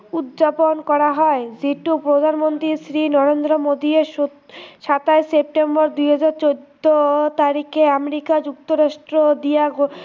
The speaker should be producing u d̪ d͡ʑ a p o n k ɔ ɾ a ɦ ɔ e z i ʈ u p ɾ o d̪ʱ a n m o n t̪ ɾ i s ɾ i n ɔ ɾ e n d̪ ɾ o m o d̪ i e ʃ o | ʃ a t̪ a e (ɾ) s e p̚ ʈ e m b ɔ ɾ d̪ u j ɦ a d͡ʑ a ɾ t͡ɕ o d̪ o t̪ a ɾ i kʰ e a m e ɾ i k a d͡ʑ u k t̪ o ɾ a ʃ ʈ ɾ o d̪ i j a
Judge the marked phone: incorrect: none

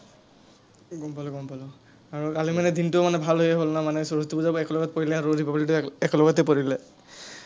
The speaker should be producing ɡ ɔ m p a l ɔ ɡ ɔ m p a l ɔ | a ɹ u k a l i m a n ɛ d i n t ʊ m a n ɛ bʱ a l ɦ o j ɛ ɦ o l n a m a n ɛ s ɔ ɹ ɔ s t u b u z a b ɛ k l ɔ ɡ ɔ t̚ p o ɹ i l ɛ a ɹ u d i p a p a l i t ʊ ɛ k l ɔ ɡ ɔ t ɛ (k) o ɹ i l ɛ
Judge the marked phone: incorrect: p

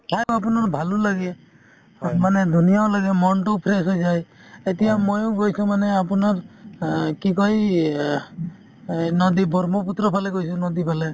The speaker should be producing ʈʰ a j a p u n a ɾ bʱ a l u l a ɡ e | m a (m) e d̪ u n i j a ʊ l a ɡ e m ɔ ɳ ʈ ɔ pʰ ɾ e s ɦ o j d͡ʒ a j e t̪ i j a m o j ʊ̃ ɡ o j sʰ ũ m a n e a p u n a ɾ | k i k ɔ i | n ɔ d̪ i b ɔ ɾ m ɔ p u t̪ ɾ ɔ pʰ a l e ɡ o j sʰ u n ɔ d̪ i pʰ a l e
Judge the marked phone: incorrect: n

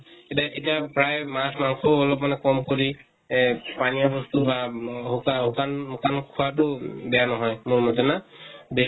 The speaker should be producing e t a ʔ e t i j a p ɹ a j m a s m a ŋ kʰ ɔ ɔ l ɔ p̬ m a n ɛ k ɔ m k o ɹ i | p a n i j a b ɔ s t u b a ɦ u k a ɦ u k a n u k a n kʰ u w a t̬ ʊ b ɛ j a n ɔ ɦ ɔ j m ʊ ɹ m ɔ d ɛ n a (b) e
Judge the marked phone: correct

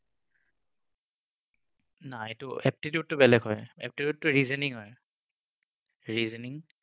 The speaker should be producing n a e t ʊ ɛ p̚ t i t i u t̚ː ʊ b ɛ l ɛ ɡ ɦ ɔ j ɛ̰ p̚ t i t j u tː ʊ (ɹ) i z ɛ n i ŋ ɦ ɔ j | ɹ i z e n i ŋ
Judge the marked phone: correct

